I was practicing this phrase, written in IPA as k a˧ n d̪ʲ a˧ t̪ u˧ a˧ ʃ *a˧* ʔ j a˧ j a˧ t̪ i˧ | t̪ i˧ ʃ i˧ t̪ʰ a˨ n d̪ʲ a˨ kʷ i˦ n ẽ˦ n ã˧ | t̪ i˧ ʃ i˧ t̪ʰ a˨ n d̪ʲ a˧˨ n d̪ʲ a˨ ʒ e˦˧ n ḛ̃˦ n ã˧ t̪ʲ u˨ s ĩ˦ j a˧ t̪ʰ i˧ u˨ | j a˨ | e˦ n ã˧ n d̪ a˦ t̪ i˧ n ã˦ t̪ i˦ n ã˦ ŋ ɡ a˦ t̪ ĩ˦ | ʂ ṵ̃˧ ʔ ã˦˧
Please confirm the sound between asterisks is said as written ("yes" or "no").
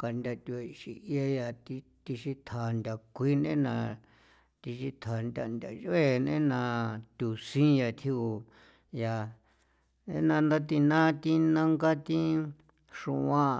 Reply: no